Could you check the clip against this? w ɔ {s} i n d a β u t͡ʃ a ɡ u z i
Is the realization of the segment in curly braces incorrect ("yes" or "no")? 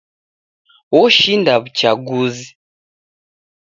yes